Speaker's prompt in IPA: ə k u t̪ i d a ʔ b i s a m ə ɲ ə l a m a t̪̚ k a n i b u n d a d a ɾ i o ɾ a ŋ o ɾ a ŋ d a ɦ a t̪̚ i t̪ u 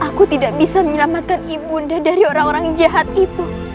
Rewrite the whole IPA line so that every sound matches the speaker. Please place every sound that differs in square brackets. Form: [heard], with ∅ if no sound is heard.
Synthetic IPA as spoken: [a] k u t̪ i d a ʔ b i s a m ə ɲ ə l a m a t̪̚ k a n i b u n d a d a ɾ i o ɾ a ŋ o ɾ a ŋ [d͡ʒ] a ɦ a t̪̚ i t̪ u